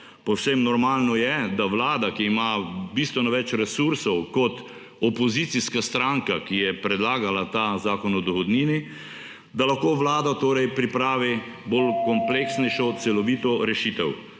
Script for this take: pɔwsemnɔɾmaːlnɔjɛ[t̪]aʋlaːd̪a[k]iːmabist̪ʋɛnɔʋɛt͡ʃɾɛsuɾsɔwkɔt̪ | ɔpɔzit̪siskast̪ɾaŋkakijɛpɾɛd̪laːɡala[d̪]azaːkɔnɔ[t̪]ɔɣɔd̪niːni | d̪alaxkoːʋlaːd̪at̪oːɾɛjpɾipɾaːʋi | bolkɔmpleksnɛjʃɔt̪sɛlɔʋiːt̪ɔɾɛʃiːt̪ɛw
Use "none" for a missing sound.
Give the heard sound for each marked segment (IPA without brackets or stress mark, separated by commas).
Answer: d̪, k, t̪, d̪